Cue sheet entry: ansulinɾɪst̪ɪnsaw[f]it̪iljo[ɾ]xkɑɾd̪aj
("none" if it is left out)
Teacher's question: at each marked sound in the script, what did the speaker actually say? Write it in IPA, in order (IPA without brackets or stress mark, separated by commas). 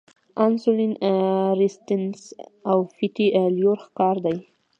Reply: f, ɾ